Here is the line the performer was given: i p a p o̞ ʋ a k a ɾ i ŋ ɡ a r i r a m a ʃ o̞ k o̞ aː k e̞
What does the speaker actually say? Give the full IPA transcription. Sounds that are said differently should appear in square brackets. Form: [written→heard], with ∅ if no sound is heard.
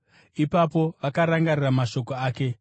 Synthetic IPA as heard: i p a p o̞ ʋ a k a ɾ [i→a] ŋ ɡ a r i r a m a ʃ o̞ k o̞ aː k e̞